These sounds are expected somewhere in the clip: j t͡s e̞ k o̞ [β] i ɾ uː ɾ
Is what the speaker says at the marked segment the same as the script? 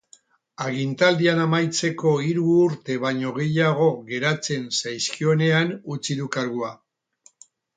no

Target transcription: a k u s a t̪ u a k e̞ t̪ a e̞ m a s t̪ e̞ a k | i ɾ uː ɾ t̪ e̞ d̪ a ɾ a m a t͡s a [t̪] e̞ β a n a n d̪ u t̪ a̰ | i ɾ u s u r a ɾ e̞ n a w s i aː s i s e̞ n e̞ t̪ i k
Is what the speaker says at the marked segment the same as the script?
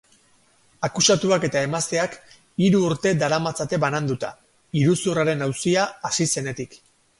yes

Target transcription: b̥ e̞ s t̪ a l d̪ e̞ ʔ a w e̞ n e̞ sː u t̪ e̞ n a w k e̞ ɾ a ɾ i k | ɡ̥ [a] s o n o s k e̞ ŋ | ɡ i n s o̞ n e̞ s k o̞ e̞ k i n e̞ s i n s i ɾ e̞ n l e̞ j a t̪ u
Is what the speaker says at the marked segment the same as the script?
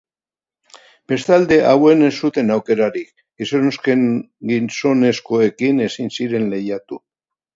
no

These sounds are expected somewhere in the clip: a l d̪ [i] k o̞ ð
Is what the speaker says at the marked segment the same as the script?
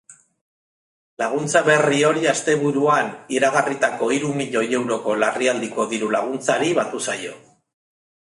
yes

